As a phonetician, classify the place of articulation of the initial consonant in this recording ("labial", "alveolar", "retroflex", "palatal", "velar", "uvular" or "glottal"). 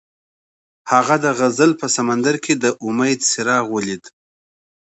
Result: glottal